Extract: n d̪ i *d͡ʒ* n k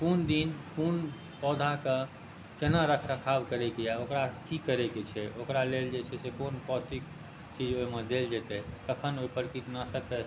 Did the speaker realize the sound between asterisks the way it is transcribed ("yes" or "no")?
no